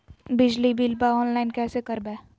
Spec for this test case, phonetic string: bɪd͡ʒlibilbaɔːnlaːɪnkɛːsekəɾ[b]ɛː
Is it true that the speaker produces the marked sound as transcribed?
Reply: yes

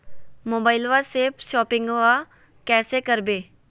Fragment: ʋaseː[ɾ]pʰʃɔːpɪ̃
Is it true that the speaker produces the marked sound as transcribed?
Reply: no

